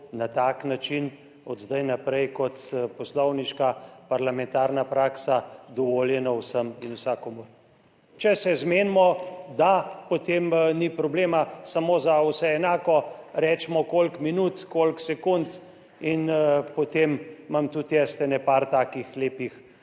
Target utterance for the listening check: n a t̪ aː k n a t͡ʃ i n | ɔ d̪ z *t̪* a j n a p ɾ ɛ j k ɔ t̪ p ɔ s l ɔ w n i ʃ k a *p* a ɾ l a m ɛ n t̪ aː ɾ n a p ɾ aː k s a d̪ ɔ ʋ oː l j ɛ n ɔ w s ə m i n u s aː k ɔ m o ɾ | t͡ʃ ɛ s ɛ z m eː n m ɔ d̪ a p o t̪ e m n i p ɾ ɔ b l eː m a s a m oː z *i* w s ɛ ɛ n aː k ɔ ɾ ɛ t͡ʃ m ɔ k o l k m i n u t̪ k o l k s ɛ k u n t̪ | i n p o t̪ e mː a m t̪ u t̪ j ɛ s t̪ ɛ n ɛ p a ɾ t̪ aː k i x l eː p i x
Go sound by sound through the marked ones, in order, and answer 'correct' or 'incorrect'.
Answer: incorrect: d̪, correct, incorrect: a

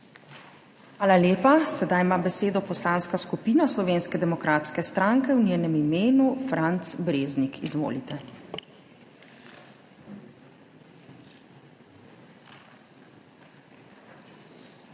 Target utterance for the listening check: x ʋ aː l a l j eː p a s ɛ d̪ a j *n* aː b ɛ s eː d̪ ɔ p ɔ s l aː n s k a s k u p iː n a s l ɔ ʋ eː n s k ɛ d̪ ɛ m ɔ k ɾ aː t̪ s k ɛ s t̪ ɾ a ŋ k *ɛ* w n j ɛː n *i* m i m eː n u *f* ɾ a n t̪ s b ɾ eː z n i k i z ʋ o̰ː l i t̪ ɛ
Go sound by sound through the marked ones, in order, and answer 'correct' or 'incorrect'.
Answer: incorrect: m, correct, incorrect: ɛ, correct

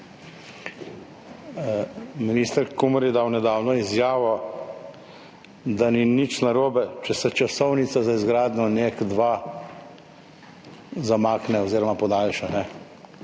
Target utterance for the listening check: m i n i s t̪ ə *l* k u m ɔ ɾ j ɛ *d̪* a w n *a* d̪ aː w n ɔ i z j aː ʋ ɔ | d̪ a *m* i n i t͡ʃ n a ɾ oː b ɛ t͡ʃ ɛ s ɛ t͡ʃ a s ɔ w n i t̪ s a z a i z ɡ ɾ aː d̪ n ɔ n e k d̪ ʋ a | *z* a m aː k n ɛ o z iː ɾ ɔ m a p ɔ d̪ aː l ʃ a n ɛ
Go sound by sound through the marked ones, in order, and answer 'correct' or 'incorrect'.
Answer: incorrect: ɾ, correct, incorrect: ɛ, incorrect: n, correct

